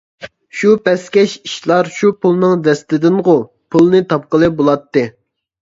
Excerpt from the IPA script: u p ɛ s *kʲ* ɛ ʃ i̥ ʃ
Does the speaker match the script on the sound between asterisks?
yes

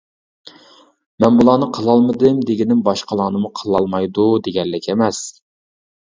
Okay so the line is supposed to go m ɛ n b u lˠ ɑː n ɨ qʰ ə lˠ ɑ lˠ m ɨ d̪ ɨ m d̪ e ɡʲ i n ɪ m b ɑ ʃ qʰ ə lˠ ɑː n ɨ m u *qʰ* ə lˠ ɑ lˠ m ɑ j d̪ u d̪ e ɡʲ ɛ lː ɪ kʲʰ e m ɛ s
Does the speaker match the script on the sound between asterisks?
yes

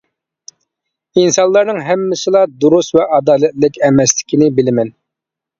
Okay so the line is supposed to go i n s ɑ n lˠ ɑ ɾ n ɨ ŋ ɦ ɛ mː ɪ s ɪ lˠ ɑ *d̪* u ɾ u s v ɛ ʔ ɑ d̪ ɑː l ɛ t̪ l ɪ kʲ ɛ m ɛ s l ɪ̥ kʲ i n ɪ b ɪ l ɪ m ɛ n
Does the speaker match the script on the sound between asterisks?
yes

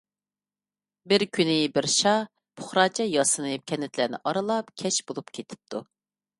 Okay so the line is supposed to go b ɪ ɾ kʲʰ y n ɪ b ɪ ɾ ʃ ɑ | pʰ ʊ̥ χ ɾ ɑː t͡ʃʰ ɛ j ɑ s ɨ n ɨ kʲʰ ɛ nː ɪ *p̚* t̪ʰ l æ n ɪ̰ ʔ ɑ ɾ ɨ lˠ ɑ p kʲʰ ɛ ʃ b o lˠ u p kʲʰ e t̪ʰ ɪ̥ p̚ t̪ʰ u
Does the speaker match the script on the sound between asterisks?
no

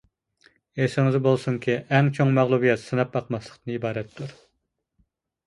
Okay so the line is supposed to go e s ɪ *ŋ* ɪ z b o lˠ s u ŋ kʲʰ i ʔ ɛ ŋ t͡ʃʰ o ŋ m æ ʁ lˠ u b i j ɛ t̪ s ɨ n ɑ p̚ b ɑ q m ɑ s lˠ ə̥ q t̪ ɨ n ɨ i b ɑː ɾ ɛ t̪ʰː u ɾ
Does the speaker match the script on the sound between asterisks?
yes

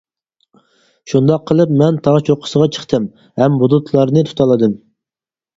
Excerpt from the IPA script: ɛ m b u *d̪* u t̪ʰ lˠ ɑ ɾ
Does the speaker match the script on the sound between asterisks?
yes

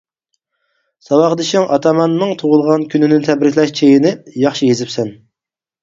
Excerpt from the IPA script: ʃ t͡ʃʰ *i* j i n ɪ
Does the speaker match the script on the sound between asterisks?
no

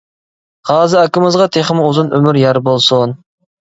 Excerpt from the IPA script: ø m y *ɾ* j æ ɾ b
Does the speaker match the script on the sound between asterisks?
yes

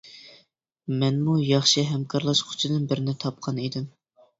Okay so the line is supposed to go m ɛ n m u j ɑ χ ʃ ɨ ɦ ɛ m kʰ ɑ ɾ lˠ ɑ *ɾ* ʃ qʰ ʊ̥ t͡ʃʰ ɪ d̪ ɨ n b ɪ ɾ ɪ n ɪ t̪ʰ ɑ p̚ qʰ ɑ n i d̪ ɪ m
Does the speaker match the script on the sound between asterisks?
no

